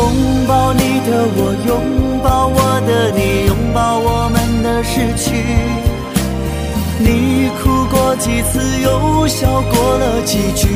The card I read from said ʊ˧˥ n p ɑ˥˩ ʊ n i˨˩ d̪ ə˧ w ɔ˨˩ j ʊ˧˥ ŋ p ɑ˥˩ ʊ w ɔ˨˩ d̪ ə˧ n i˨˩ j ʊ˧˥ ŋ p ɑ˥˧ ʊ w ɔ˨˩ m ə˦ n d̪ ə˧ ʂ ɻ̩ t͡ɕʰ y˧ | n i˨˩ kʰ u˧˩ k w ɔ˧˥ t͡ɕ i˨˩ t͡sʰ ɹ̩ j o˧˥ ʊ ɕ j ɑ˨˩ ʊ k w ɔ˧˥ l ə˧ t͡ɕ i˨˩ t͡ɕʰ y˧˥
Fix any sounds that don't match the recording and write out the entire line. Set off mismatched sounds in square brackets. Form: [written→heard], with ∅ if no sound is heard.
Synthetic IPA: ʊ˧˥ [n→ŋ] p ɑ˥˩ ʊ n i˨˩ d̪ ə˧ w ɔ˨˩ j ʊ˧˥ ŋ p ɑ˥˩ ʊ w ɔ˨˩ d̪ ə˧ n i˨˩ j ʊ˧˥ ŋ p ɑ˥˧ ʊ w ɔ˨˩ m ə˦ n d̪ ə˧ ʂ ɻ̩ t͡ɕʰ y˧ | n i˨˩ kʰ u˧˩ k w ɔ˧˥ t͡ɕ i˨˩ t͡sʰ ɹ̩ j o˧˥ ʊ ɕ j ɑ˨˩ ʊ k w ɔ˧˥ l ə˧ t͡ɕ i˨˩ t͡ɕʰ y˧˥